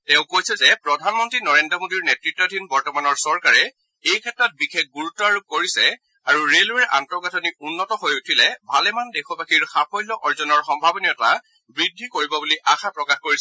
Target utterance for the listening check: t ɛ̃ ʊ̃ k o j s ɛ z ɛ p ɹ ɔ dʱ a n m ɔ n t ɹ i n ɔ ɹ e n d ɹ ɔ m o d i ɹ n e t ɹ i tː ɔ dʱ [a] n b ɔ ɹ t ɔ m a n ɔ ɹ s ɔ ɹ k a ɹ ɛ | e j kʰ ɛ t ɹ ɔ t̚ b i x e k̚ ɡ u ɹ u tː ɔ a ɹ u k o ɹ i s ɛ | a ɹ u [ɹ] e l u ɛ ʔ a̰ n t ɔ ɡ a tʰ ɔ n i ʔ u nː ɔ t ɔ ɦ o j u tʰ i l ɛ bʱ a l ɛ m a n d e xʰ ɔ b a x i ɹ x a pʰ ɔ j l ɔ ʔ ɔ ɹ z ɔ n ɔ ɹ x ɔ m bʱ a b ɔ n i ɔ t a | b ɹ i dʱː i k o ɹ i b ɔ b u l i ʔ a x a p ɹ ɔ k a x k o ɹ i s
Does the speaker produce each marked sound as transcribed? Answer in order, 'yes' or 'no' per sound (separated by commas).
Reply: no, yes